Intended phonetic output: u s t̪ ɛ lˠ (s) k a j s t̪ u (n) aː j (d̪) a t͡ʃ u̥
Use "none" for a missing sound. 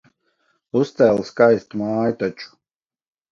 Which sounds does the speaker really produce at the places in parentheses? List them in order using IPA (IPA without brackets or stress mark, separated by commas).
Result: s, m, t̪